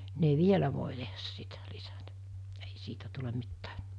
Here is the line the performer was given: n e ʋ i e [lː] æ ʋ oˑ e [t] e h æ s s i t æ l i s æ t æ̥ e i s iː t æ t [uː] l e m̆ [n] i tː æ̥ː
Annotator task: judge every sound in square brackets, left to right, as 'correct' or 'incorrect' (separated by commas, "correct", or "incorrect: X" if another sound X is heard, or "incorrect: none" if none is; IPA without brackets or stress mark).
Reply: incorrect: l, correct, incorrect: u, incorrect: m